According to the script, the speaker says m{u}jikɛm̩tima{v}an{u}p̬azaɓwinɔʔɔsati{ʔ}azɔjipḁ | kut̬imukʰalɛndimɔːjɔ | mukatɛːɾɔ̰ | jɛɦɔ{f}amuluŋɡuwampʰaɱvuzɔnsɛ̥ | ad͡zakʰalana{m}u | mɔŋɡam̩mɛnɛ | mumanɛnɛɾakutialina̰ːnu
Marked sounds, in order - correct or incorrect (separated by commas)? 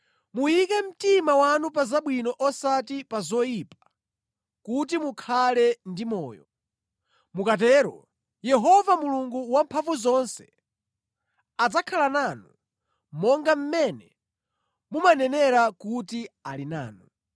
correct, incorrect, correct, incorrect, incorrect, incorrect